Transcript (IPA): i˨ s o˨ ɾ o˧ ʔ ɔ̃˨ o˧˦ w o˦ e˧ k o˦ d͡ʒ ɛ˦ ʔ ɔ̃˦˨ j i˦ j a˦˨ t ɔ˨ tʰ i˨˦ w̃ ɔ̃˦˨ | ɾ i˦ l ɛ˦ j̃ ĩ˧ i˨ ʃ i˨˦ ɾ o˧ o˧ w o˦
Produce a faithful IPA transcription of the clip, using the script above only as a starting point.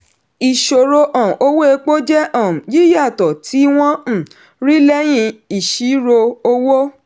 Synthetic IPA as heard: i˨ ʃ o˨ ɾ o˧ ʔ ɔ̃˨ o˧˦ w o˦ e˧ k͡p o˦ d͡ʒ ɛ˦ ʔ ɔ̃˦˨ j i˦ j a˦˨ t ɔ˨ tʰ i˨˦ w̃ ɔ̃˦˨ | ɾ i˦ l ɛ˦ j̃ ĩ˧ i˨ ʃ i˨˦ ɾ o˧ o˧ w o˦